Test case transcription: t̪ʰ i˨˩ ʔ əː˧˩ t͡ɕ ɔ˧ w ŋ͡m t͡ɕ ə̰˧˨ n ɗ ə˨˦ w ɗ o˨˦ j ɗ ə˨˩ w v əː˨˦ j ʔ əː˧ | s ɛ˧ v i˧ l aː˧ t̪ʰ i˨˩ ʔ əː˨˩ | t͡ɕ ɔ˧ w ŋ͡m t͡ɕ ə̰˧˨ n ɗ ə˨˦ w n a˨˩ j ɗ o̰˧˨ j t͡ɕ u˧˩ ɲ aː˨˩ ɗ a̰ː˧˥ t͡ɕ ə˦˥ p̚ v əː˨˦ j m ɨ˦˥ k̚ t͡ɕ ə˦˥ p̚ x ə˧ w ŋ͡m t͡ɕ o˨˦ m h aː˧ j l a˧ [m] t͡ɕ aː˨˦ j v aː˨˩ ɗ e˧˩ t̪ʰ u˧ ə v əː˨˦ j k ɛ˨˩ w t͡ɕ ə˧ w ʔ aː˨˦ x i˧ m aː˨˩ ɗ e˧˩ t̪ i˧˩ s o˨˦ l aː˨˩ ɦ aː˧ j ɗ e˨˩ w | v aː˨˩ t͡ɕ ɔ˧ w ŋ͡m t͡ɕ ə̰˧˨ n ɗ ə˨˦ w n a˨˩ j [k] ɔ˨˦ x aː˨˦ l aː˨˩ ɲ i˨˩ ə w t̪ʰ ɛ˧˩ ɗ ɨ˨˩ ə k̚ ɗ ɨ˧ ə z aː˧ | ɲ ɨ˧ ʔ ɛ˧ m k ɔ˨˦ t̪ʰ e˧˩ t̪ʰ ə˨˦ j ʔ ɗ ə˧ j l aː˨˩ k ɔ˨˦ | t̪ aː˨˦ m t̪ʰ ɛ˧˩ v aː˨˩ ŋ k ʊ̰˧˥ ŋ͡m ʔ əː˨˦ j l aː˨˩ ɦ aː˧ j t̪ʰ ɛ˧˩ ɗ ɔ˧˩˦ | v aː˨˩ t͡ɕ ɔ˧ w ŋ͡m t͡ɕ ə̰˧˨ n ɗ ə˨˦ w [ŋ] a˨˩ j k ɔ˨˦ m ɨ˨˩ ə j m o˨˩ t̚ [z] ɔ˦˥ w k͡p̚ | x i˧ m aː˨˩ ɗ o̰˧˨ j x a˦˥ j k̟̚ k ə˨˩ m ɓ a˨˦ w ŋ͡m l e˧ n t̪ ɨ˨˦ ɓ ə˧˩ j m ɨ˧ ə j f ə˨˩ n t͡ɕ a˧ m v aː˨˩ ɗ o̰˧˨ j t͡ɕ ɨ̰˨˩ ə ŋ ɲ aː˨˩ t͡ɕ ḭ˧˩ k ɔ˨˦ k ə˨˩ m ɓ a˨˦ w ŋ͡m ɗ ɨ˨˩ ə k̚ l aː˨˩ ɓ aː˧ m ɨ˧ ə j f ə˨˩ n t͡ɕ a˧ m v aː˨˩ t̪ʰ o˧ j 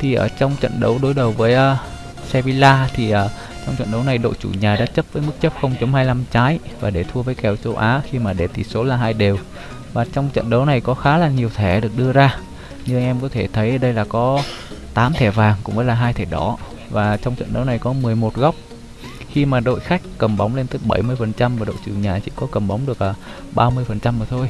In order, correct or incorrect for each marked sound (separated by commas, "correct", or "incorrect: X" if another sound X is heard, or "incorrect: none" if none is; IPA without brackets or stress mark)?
correct, correct, incorrect: n, incorrect: ɣ